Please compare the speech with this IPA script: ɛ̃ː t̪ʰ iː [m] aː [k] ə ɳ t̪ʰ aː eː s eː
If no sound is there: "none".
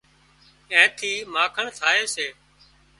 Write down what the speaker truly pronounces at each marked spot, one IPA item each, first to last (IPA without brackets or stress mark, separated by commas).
m, kʰ